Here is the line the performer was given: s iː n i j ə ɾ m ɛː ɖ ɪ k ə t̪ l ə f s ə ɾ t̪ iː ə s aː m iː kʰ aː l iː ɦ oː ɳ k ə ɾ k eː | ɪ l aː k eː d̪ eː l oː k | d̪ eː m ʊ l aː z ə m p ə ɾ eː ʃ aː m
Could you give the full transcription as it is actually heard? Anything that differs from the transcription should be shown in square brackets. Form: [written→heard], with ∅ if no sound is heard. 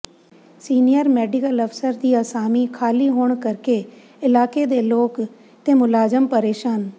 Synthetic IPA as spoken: s iː n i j ə ɾ m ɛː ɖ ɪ k ə [t̪→∅] l ə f s ə ɾ [t̪→d̪] iː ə s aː m iː kʰ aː l iː ɦ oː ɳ k ə ɾ k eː | ɪ l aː k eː d̪ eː l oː k | [d̪→t̪] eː m ʊ l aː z ə m p ə ɾ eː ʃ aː [m→n]